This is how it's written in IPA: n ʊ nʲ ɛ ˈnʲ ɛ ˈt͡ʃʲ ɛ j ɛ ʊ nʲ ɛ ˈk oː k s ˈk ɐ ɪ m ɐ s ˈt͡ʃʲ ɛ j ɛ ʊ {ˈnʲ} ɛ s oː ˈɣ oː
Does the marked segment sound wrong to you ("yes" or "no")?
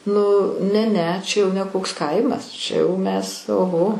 yes